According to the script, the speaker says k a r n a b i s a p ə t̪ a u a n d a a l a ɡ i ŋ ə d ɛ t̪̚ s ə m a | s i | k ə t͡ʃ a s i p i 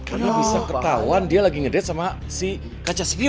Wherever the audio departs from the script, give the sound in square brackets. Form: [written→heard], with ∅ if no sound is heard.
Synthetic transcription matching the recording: k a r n a b i s a [p→k] ə t̪ a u a n d [a→i] a l a ɡ i ŋ ə d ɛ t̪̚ s [ə→a] m a | s i | k [ə→a] t͡ʃ a s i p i